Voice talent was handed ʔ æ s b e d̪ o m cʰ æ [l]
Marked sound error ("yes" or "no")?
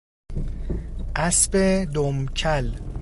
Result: no